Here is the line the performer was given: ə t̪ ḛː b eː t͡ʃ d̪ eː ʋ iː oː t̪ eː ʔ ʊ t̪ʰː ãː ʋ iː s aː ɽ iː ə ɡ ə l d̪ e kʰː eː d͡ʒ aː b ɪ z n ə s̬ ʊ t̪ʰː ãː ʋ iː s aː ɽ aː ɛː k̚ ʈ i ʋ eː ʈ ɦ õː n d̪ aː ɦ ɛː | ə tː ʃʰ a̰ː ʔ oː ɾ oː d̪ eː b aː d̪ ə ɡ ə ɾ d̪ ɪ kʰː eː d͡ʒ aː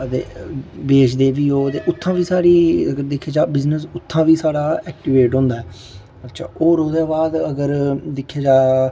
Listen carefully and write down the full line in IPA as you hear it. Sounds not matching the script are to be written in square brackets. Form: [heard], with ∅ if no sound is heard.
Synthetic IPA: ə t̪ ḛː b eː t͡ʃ d̪ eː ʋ iː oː t̪ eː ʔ ʊ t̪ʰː ãː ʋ iː s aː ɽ iː ə ɡ ə [ɾ] d̪ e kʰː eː d͡ʒ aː b ɪ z n ə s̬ ʊ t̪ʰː ãː ʋ iː s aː ɽ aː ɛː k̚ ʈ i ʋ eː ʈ ɦ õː n d̪ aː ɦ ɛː | ə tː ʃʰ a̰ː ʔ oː ɾ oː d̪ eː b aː d̪ ə ɡ ə ɾ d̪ ɪ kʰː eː d͡ʒ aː